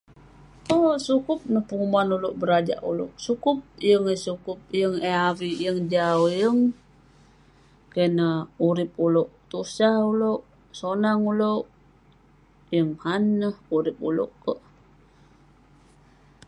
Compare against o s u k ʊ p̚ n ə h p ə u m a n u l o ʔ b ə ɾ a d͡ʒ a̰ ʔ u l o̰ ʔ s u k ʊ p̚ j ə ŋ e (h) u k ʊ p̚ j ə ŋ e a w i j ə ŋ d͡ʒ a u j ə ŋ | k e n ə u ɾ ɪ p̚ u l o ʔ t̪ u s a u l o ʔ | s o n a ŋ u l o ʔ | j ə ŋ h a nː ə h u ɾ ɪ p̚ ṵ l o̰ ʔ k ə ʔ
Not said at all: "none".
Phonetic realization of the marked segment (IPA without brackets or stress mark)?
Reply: s